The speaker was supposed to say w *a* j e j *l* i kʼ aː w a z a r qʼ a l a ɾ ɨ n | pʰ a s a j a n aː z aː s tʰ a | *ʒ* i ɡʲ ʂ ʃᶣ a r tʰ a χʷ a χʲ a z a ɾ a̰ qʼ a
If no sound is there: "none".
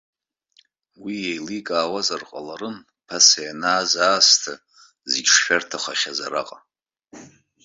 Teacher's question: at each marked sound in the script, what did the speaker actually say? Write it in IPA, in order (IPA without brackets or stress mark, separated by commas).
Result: i, l, z